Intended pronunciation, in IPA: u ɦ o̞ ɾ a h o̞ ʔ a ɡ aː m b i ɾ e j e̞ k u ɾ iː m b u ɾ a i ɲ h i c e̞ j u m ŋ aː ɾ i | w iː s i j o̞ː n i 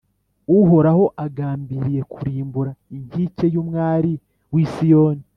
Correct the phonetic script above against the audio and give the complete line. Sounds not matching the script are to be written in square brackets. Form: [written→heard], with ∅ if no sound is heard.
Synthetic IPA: u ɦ o̞ ɾ a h o̞ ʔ a ɡ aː m b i ɾ [e→i] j e̞ k u ɾ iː m b u ɾ a i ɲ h i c e̞ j u m ŋ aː ɾ i | w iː s i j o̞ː n i